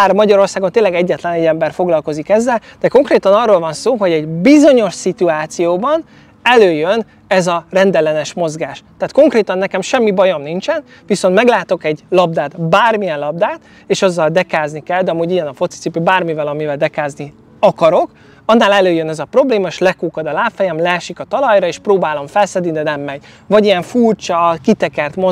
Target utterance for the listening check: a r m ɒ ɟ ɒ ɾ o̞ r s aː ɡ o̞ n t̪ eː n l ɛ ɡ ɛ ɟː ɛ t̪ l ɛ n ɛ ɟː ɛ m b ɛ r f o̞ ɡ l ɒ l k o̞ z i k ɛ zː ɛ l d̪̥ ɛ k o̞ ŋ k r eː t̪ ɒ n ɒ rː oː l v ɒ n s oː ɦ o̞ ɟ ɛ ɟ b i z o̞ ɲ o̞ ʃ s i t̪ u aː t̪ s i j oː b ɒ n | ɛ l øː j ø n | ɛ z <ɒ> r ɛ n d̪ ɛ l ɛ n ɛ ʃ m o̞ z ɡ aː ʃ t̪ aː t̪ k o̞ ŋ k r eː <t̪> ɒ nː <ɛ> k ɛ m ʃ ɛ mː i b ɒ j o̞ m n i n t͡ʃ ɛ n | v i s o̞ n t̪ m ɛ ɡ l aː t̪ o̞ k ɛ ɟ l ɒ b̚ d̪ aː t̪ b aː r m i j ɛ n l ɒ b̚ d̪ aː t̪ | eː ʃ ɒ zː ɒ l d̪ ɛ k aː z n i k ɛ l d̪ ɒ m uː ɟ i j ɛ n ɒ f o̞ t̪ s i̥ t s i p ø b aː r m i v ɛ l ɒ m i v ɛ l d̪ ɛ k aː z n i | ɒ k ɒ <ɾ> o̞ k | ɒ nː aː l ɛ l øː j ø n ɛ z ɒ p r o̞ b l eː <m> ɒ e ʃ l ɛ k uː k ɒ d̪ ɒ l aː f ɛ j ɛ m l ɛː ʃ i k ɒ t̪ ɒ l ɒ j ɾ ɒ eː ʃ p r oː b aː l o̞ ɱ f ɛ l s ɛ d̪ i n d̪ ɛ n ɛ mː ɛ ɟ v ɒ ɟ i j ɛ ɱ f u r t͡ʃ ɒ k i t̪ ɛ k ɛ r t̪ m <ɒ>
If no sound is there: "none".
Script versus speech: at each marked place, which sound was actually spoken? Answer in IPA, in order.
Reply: ɒ, t̪, ɛ, ɾ, m, o

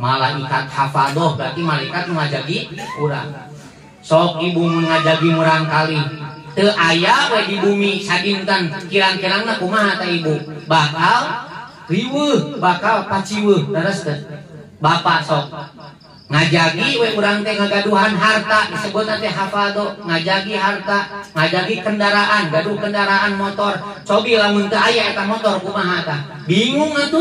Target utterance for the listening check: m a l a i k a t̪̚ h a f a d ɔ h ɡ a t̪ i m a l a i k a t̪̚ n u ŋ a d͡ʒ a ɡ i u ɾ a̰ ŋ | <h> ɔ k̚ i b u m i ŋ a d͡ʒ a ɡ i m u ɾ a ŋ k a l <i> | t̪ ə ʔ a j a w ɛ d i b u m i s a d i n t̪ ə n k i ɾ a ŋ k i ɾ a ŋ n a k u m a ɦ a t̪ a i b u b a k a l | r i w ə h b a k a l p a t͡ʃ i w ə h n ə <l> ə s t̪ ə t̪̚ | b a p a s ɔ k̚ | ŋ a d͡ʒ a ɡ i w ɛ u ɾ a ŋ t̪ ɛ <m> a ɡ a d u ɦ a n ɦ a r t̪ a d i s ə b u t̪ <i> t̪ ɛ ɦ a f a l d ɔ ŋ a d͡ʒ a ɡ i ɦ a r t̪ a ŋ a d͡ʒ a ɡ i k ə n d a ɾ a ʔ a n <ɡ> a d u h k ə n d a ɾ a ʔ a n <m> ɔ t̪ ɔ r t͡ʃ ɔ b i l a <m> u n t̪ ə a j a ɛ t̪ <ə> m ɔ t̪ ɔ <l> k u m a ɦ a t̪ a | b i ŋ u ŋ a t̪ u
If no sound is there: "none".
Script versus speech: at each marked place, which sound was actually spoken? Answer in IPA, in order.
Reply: s, i, ɾ, ŋ, a, ɡ, m, m, a, r

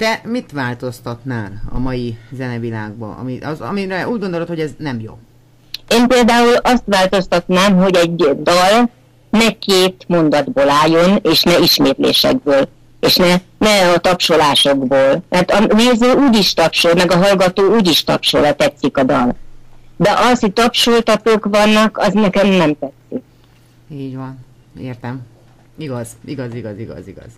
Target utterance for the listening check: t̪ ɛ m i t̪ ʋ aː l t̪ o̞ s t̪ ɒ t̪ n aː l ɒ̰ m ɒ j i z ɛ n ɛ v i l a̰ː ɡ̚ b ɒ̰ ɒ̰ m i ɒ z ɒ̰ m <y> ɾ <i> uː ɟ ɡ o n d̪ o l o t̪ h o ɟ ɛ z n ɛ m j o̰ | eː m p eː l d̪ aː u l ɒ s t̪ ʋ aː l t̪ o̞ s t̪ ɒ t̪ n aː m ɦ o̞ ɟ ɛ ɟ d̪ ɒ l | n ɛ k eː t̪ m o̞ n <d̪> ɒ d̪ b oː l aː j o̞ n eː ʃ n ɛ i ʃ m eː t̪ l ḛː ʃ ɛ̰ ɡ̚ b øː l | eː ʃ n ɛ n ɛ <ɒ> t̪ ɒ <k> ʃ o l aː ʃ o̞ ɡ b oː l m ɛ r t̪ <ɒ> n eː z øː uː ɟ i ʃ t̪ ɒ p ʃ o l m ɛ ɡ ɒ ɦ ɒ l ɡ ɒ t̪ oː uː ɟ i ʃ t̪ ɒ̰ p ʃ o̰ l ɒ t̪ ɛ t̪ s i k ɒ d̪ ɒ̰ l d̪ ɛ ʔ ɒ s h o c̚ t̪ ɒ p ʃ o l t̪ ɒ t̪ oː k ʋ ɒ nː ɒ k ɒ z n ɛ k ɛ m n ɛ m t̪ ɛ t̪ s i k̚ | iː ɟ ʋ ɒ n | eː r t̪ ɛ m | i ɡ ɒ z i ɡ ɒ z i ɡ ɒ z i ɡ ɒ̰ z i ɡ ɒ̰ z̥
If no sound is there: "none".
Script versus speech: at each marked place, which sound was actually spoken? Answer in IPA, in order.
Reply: i, ɛ, d̪, ɒ, p, ɒ

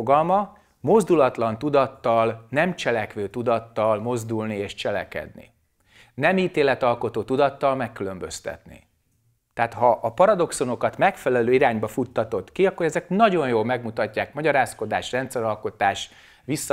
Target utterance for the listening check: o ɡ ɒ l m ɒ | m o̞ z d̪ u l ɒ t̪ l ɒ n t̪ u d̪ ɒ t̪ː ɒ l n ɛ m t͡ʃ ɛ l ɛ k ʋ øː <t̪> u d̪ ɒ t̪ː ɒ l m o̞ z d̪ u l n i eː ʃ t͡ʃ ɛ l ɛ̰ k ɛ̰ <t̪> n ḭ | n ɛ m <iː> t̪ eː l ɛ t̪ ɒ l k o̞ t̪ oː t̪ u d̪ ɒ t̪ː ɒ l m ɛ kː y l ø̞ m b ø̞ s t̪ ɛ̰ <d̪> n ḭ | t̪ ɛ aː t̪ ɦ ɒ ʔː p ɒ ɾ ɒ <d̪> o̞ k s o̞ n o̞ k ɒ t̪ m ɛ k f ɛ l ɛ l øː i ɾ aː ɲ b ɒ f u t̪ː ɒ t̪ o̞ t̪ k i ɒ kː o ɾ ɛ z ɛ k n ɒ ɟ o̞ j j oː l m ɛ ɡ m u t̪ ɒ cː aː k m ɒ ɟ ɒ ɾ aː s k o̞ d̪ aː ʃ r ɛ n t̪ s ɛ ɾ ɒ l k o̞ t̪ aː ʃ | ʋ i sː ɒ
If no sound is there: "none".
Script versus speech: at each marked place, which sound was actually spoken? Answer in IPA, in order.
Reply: t̪, d̪, iː, t̪, d̪

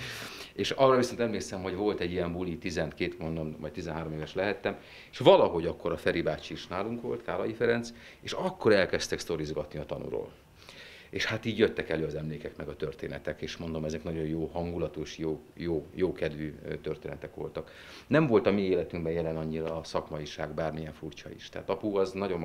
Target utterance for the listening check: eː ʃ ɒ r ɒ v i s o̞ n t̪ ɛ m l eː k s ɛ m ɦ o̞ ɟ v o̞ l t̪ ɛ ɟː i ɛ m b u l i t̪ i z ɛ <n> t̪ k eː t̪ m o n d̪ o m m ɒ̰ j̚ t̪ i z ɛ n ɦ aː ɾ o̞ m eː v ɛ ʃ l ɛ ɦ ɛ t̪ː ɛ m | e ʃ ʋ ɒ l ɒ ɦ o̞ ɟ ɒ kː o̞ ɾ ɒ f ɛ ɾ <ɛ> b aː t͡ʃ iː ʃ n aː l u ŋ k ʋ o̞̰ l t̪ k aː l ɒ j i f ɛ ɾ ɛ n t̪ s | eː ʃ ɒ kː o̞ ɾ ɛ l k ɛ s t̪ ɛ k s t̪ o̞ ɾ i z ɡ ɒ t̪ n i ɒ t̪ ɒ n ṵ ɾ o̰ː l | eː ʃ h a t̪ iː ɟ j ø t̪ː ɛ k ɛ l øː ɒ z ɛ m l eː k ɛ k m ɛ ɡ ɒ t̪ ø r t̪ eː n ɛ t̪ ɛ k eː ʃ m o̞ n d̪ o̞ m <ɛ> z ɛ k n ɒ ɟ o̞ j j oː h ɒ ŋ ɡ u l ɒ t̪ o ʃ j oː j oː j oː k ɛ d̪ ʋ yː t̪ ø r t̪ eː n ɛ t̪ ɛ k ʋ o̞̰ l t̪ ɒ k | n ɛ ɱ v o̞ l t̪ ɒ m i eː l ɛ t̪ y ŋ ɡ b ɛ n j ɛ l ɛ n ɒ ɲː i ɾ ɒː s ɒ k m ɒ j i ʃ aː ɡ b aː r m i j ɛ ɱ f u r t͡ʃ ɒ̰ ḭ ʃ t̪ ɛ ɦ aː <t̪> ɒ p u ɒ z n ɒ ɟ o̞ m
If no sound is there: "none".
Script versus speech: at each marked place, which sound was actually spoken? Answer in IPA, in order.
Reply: n, i, ɛ, t̪

